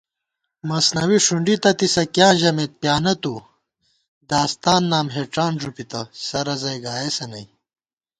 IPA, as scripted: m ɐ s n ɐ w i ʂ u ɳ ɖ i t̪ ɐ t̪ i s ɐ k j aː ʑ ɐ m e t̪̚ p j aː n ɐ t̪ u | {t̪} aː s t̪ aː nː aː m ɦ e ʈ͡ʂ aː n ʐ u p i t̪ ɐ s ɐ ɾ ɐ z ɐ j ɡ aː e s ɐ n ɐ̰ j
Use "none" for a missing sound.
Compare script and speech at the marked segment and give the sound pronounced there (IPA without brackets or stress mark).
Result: d̪